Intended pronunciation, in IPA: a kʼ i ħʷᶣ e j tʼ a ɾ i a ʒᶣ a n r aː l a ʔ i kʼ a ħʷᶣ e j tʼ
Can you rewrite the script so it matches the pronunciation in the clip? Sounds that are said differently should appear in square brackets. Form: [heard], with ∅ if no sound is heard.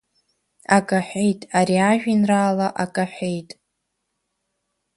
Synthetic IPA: a kʼ [a] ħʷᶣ e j tʼ a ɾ i a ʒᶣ [i] n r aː l a ʔ [a] kʼ a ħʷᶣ e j tʼ